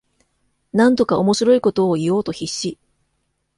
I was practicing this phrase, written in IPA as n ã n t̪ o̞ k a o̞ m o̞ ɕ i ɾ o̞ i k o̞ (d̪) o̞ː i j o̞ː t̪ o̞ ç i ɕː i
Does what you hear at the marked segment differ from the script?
yes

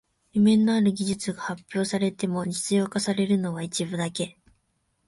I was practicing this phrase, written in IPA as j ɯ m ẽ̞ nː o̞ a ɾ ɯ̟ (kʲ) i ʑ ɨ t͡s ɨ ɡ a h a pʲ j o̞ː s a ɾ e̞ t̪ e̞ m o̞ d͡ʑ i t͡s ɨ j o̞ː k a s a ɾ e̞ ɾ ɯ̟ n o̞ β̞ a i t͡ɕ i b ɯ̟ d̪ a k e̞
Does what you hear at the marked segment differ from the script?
yes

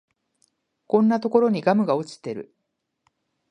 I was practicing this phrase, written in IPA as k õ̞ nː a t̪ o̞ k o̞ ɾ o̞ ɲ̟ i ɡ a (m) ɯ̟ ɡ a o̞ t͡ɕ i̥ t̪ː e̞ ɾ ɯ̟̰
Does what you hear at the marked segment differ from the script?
no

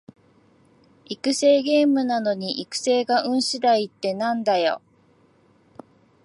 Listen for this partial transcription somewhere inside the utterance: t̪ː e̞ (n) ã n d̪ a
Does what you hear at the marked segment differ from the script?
no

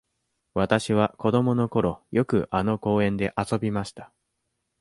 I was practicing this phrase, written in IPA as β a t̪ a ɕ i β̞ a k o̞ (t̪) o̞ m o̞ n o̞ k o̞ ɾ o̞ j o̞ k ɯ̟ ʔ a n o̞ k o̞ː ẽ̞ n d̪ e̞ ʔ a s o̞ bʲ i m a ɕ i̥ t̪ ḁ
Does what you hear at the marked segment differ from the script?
yes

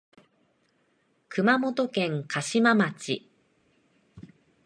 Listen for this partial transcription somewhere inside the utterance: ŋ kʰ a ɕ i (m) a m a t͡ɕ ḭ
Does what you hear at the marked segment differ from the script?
no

